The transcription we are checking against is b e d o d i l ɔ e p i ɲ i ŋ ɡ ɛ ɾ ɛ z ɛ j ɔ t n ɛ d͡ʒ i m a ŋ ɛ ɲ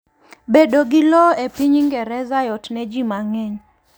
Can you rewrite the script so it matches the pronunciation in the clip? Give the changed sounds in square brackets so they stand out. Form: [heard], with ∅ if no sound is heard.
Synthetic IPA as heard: b e d o [ɡ] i l ɔ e p i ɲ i ŋ ɡ ɛ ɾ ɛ z [a] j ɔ t n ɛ d͡ʒ i m a ŋ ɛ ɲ